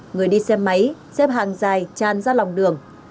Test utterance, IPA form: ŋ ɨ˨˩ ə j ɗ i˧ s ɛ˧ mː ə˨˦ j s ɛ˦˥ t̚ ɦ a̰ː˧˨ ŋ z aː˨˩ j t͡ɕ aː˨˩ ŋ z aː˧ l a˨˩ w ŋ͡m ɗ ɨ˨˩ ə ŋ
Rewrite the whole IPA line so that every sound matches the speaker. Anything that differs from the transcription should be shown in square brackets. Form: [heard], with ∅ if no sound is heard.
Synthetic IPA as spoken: ŋ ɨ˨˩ ə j ɗ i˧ s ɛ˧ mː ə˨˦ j s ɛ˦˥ [p̚] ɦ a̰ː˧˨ ŋ z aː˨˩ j t͡ɕ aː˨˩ [n] z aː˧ l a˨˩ w ŋ͡m ɗ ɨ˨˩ ə ŋ